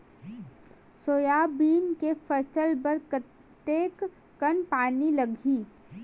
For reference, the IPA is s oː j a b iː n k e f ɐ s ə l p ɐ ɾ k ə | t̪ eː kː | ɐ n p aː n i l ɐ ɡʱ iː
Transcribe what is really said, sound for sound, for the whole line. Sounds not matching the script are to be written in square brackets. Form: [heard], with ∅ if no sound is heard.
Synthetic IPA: s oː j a b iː n k e f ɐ s ə l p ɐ ɾ k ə | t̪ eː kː | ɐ n p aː n i l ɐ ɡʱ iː